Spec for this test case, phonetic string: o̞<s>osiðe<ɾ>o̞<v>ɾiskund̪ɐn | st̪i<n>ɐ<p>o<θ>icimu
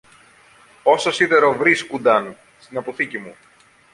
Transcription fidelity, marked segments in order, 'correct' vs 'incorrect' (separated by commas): correct, correct, correct, correct, correct, correct